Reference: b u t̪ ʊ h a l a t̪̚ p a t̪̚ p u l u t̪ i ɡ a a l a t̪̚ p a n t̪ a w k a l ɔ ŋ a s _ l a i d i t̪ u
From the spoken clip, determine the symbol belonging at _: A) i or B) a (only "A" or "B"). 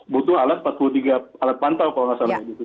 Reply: B